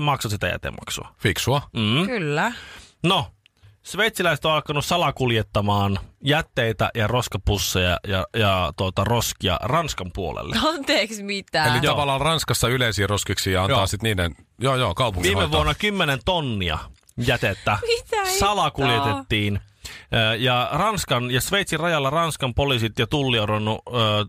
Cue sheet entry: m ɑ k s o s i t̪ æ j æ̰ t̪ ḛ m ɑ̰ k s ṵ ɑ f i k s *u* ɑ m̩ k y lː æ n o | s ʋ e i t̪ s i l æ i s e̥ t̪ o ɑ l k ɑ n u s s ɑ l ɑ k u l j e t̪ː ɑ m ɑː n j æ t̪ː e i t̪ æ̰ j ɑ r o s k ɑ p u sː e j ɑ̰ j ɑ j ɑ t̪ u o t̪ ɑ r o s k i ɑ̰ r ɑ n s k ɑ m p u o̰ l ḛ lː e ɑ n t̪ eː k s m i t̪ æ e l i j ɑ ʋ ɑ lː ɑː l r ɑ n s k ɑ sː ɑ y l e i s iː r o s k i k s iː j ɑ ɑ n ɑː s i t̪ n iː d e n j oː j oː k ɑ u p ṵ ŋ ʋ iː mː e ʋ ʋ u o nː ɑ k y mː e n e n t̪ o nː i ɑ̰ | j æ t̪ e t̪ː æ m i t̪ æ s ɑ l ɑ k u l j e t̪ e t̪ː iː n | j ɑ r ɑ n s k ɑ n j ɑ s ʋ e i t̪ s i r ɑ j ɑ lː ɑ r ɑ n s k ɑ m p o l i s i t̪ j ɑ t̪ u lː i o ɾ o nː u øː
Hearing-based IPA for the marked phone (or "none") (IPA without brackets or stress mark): u